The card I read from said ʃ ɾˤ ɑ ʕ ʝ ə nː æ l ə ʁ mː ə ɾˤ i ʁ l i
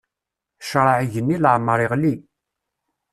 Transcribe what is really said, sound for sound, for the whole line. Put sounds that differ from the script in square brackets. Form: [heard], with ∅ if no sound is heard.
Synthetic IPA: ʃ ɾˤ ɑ ʕ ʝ ə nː [i] l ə [ʕ] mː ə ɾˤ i ʁ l i